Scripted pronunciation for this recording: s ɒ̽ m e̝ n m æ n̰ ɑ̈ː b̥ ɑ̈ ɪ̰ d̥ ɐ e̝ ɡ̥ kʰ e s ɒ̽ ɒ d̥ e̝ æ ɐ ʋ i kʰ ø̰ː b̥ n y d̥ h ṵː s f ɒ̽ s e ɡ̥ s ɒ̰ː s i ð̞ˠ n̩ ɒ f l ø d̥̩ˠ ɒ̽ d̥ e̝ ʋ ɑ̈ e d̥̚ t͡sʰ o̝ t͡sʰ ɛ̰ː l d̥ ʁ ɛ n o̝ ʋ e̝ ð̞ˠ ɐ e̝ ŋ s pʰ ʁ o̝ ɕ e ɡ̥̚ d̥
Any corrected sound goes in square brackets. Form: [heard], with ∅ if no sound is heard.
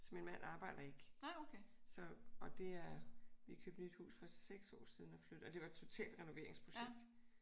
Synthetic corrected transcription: s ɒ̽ m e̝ n m æ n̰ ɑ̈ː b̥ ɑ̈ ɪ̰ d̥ ɐ e̝ ɡ̥ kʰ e s ɒ̽ ɒ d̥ e̝ æ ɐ ʋ i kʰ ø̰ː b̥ n y d̥ h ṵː s f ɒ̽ s e ɡ̥ s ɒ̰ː s i ð̞ˠ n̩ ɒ f l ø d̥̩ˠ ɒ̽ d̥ e̝ ʋ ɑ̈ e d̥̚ t͡sʰ o̝ t͡sʰ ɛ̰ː l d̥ ʁ ɛ n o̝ ʋ e̝ [∅] ɐ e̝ ŋ s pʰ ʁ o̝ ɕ e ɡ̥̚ d̥